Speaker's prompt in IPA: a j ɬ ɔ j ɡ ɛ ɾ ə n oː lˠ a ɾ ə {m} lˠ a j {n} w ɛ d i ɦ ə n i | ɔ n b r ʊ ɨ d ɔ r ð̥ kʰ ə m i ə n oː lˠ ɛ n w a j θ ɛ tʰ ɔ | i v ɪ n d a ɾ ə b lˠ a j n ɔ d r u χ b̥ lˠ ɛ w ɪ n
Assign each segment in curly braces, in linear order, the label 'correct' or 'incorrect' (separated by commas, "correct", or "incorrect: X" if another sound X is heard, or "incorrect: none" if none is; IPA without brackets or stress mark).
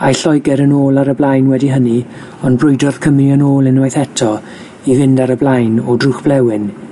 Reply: incorrect: b, correct